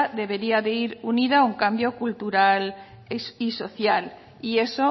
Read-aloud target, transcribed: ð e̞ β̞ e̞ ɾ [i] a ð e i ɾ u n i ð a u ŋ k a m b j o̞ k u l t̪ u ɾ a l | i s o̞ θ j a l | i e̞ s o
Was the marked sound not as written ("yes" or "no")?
no